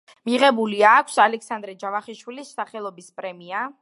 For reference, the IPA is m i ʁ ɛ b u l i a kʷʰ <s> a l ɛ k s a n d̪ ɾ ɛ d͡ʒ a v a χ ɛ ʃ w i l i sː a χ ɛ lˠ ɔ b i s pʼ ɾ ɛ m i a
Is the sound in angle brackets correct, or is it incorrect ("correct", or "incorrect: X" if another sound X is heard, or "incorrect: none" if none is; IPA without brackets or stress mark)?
correct